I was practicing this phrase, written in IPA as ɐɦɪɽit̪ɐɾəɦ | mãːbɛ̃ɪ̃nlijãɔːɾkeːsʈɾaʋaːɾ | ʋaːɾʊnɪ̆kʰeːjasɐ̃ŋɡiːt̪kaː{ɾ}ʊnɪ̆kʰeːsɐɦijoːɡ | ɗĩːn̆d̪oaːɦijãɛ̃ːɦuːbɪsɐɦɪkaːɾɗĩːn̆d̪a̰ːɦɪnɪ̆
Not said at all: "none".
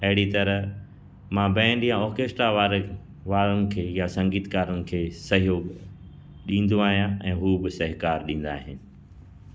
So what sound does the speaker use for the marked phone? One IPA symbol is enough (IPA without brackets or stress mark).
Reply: ɾ